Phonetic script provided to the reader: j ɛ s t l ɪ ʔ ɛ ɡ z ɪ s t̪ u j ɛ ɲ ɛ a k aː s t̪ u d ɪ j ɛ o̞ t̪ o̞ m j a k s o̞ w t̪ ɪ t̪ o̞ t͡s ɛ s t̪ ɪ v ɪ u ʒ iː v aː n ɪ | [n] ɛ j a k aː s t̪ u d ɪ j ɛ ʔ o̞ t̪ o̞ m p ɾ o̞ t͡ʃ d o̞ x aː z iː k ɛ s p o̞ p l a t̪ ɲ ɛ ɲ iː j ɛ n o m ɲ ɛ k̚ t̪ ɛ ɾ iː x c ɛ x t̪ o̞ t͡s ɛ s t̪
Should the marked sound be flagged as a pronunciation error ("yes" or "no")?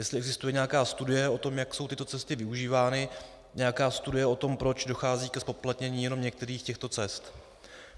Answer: yes